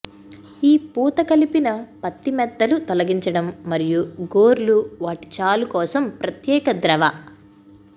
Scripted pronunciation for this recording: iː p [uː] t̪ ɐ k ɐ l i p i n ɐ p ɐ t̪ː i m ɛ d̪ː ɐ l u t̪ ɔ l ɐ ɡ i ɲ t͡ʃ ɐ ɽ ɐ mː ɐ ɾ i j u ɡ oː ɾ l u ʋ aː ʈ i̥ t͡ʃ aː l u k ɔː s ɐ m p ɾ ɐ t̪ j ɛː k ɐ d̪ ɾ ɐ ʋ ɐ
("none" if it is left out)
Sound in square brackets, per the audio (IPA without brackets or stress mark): uː